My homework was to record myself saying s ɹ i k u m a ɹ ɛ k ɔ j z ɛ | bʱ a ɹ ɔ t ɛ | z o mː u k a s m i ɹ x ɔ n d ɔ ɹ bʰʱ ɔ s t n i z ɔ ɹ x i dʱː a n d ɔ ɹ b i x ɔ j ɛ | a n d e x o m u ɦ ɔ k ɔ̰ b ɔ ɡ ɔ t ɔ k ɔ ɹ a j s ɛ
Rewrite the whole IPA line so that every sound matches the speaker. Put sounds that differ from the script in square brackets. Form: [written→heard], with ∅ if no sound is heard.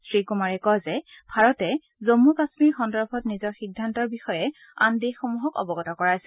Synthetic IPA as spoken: s ɹ i k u m a ɹ ɛ k ɔ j z ɛ | bʱ a ɹ ɔ t ɛ | z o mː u k a s m i ɹ x ɔ n d ɔ ɹ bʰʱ ɔ [s→∅] t n i z ɔ ɹ x i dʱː a n [d→t] ɔ ɹ b i x ɔ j ɛ | a n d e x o m u ɦ ɔ k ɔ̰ b ɔ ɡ ɔ t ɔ k ɔ ɹ a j s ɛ